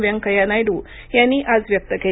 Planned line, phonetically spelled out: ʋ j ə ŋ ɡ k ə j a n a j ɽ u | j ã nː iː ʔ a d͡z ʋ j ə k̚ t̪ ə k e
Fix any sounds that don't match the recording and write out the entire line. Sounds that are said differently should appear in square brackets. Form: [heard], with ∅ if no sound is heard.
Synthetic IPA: ʋ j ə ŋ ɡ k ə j a n a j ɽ u | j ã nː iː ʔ a d͡z ʋ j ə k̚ t̪ ə k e